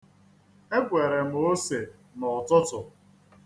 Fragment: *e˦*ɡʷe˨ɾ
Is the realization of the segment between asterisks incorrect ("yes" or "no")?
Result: no